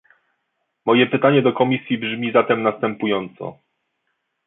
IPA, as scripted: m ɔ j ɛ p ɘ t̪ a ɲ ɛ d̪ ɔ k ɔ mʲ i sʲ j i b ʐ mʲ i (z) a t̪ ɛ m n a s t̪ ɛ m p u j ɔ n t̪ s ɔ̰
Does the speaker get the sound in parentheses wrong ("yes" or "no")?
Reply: no